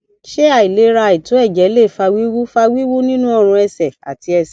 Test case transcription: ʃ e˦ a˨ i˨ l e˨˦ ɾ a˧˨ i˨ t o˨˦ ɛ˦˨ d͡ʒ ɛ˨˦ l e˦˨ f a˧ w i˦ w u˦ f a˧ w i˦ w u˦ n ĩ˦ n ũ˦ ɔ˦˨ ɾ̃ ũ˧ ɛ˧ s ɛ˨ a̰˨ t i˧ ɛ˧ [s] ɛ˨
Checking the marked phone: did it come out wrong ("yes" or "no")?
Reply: no